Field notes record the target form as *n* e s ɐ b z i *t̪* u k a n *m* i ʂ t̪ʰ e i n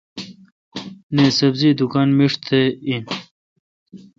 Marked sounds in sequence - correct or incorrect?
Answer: correct, incorrect: d̪, correct

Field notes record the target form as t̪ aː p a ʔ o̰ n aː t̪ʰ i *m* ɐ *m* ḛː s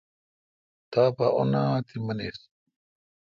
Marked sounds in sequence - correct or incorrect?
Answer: correct, incorrect: n

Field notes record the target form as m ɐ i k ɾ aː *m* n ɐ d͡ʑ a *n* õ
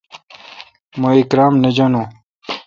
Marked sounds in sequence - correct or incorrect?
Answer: correct, correct

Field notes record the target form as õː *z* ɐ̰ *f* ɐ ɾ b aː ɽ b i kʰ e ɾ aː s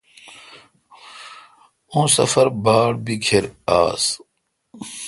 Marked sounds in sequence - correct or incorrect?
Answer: incorrect: s, correct

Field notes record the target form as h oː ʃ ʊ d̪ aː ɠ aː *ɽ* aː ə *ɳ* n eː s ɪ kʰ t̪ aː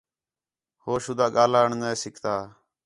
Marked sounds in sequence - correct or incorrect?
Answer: incorrect: l, correct

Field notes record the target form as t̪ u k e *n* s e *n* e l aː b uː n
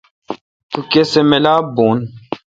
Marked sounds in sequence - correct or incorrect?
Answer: incorrect: none, incorrect: m

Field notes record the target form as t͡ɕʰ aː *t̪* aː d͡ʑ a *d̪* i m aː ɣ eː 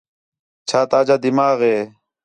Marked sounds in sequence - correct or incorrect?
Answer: correct, correct

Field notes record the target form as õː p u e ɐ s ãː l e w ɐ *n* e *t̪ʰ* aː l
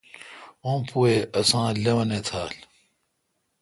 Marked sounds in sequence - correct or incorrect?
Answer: correct, correct

